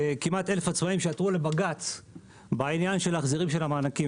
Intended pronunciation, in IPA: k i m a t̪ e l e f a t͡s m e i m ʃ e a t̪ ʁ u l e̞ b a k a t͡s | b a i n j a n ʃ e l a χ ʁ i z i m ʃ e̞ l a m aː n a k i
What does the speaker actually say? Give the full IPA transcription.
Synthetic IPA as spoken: k i m a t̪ e l e f a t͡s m a i m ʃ e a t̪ ʁ u l e̞ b a ɡ a t͡s | b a i n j a n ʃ e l a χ z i ʁ i m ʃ e̞ l a m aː n a k i